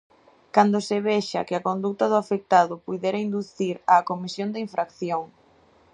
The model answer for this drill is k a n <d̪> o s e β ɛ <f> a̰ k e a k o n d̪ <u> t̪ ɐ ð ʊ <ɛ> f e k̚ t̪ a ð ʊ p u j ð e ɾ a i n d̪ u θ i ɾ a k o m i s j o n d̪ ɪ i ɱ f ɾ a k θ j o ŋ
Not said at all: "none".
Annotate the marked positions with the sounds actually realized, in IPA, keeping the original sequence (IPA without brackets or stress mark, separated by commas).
d̪, ʃ, u, a